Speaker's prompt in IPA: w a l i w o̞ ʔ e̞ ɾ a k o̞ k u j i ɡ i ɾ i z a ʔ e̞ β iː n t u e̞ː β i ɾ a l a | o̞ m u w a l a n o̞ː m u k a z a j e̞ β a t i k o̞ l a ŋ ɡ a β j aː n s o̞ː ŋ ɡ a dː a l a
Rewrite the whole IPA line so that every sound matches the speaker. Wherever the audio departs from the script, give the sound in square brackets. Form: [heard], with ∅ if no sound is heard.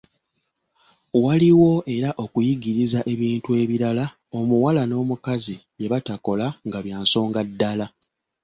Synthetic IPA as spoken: w a l i w o̞ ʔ e̞ ɾ a [ʔ] o̞ k u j i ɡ i ɾ i z a ʔ e̞ β iː n t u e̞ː β i ɾ a l a | o̞ m u w a l a n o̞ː m u k a z [i] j e̞ β a t [a] k o̞ l a ŋ ɡ a β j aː n s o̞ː ŋ ɡ a dː a l a